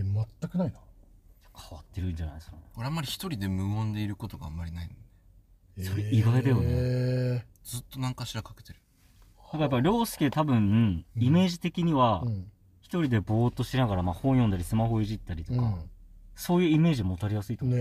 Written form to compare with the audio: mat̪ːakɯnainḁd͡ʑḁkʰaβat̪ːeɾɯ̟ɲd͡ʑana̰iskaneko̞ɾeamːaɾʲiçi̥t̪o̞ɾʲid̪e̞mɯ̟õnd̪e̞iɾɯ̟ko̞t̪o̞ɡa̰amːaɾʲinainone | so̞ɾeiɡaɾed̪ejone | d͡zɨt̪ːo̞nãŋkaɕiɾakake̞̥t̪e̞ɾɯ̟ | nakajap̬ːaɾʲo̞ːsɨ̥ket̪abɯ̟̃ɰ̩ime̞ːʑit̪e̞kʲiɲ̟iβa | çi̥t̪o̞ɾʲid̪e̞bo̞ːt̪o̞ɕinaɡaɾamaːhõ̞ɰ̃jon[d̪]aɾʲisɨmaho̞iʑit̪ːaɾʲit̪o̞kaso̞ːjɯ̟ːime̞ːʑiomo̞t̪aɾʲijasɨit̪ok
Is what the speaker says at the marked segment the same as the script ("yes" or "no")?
yes